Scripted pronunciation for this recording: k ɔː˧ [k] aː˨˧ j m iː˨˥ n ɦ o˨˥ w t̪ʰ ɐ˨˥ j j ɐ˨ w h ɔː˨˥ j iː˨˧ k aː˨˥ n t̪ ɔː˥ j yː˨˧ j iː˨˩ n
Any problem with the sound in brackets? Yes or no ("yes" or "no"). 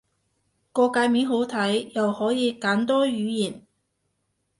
no